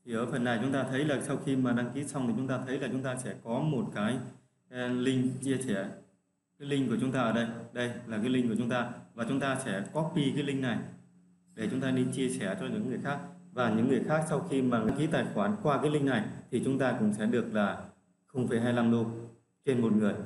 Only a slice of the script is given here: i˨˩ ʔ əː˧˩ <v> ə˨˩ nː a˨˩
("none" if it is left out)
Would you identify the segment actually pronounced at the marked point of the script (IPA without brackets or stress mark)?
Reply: f